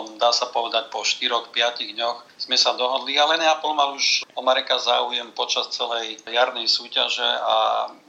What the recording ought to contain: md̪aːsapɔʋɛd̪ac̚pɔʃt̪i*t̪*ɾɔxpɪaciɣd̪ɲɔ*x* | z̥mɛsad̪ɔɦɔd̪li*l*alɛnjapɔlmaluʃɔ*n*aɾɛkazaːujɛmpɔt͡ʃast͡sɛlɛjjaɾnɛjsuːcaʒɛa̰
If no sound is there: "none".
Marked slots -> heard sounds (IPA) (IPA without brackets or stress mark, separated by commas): none, x, none, m